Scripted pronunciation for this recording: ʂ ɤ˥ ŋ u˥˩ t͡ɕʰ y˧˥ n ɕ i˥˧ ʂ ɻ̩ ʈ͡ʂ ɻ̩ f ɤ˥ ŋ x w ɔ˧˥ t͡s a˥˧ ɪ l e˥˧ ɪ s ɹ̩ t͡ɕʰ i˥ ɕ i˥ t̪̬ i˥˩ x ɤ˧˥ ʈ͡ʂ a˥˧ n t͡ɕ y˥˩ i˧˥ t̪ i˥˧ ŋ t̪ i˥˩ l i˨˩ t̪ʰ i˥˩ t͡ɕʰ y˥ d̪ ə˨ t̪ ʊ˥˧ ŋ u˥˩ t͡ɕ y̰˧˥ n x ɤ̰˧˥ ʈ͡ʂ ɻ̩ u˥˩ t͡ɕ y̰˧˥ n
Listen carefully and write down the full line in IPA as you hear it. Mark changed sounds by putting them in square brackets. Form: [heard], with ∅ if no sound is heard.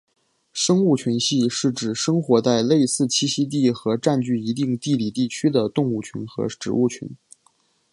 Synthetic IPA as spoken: ʂ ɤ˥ ŋ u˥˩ t͡ɕʰ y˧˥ n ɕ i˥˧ ʂ ɻ̩ ʈ͡ʂ ɻ̩ [ʂ] ɤ˥ ŋ x w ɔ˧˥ t͡s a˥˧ ɪ l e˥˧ ɪ s ɹ̩ t͡ɕʰ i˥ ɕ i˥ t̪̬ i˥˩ x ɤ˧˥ ʈ͡ʂ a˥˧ n t͡ɕ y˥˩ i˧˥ t̪ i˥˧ ŋ t̪ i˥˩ l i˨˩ [t̪] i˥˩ t͡ɕʰ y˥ d̪ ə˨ t̪ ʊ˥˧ ŋ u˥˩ [t͡ɕʰ] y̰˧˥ n x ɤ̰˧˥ ʈ͡ʂ ɻ̩ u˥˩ [t͡ɕʰ] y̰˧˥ n